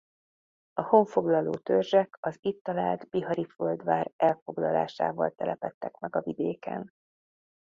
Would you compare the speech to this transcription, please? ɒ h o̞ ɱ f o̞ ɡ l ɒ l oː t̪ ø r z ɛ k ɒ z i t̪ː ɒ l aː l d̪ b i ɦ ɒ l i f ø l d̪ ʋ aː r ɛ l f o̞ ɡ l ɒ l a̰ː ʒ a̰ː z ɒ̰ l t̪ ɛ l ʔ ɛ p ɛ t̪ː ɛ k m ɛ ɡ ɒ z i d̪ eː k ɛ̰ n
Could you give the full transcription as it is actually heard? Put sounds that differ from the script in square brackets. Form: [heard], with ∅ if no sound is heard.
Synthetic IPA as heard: ɒ h o̞ ɱ f o̞ ɡ l ɒ l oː t̪ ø r [ʒ] ɛ k ɒ z i t̪ː ɒ l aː l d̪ b i ɦ ɒ [ɾ] i f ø l d̪ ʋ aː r ɛ l f o̞ ɡ l ɒ l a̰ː [ʃ] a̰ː [v] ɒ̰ l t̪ ɛ l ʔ ɛ p ɛ t̪ː ɛ k m ɛ ɡ ɒ [v] i d̪ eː k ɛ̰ n